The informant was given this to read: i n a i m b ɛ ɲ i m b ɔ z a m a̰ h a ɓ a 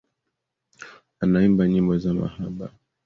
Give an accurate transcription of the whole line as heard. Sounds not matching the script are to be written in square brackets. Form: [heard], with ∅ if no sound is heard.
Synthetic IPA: [a] n a i m b [a] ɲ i m b ɔ z a m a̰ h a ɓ a